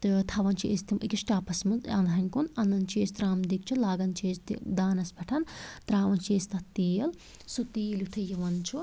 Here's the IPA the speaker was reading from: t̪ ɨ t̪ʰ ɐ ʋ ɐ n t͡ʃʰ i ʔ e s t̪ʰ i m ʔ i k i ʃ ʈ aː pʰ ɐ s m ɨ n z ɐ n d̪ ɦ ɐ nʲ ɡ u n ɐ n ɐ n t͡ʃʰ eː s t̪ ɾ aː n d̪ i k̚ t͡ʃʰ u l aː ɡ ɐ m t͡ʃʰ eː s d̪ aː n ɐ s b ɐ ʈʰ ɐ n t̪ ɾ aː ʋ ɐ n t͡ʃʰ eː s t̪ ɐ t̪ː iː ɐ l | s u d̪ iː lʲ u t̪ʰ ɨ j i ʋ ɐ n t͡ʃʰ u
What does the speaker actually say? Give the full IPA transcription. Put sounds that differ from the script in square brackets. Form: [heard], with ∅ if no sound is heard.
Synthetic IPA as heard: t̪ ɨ t̪ʰ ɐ ʋ ɐ n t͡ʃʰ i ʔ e s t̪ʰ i m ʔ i k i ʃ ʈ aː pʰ ɐ s m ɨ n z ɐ n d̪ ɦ ɐ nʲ [k] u n ɐ n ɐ n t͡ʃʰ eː s t̪ ɾ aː [m] d̪ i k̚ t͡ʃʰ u l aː ɡ ɐ [n] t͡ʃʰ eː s d̪ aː n ɐ s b ɐ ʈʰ ɐ n t̪ ɾ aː ʋ ɐ n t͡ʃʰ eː s t̪ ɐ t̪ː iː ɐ l | s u [t̪] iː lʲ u t̪ʰ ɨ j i ʋ ɐ n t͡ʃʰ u